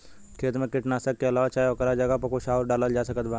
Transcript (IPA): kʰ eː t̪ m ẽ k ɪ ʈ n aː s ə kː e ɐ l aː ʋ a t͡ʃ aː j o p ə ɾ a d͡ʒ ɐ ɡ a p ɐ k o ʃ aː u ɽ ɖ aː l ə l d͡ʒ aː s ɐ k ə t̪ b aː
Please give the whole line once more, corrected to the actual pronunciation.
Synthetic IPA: kʰ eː t̪ m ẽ k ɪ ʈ n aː s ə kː e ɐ l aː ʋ a t͡ʃ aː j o k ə ɾ a d͡ʒ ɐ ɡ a p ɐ k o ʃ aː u ɾ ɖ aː l ə l d͡ʒ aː s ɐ k ə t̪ b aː